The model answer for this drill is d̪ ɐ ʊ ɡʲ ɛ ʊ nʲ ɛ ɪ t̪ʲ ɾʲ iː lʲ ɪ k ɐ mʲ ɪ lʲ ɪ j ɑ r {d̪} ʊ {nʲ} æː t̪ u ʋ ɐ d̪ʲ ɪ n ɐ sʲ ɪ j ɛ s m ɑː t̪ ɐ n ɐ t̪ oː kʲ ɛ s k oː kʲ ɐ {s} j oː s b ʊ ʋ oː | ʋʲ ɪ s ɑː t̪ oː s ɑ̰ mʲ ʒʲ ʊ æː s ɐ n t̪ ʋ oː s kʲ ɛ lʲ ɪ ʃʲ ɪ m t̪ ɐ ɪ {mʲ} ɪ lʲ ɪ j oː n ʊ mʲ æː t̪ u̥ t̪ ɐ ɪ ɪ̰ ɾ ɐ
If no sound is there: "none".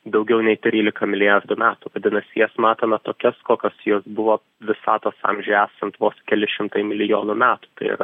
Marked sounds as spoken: d̪, mʲ, s, mʲ

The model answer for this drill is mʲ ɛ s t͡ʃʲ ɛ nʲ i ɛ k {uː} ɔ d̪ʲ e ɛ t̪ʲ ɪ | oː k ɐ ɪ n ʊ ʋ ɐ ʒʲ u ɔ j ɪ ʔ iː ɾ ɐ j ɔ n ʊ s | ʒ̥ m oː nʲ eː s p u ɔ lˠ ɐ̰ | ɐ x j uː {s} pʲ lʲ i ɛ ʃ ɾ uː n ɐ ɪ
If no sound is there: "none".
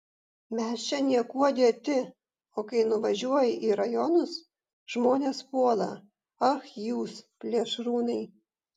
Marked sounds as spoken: u, s

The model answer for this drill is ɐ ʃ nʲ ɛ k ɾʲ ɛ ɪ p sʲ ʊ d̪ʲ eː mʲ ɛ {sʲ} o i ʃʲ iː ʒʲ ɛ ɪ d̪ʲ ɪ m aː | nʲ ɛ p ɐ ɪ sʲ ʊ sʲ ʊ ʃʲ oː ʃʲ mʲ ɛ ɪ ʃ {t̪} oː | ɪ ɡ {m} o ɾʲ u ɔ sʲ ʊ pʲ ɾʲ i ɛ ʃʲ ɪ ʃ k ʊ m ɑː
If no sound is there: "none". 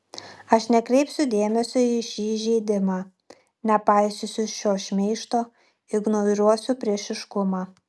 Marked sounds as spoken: sʲ, t̪, n

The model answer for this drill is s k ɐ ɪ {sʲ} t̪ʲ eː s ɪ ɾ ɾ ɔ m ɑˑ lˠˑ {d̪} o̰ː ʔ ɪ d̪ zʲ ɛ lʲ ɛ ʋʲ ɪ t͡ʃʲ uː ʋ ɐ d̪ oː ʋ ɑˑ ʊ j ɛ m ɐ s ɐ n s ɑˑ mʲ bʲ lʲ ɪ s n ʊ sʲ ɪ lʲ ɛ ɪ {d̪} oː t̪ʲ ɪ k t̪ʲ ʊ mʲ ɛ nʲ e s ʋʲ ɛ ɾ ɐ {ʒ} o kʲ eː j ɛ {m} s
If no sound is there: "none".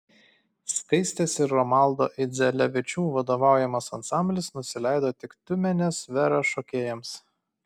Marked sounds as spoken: sʲ, d̪, d̪, ʃ, m

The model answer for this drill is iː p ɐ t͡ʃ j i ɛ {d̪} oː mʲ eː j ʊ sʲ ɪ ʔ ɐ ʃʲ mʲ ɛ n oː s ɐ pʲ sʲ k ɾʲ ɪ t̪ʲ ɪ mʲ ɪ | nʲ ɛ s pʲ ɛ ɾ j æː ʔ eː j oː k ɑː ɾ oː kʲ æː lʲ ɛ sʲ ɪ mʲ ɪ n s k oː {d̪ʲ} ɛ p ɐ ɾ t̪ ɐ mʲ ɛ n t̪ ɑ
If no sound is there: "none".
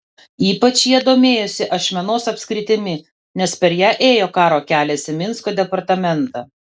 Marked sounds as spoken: d̪, d̪ʲ

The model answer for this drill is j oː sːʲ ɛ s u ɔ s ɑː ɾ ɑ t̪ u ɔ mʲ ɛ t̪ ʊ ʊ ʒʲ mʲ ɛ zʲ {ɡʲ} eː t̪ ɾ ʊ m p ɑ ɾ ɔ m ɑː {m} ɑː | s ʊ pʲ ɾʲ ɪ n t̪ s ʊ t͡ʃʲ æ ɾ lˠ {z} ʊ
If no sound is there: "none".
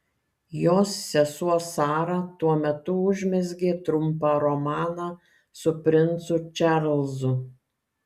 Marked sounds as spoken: ɡʲ, n, z

